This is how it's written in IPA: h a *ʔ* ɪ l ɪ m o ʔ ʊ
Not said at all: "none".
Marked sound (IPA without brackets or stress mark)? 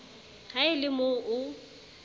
none